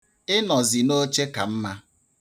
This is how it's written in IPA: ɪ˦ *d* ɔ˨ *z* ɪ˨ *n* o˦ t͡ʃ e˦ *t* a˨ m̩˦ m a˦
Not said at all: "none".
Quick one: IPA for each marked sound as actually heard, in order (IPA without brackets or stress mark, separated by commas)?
n, z, n, k